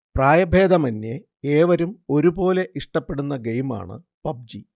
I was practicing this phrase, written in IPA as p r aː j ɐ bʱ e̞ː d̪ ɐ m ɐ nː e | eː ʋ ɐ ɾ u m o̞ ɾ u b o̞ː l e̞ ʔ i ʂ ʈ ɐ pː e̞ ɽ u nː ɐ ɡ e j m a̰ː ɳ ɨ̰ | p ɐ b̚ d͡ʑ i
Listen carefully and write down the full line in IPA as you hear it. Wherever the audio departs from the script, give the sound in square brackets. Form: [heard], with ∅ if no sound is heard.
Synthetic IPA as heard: p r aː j ɐ bʱ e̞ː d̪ ɐ m ɐ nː e | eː ʋ ɐ ɾ u m o̞ ɾ u b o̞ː l e̞ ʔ i ʂ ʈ ɐ pː e̞ ɽ u nː ɐ ɡ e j m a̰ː ɳ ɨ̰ | p ɐ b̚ d͡ʑ i